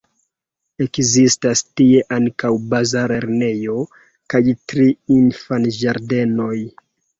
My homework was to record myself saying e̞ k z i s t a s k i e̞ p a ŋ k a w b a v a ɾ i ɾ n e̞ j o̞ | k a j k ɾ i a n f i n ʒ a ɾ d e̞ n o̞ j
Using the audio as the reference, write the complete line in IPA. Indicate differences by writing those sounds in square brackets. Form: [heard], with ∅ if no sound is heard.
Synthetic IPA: e̞ k z i s t a s [t] i e̞ [ʔ] a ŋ k a w b a [z] a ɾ [e] ɾ n e̞ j o̞ | k a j [t] ɾ i [i] n f [a] n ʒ a ɾ d e̞ n o̞ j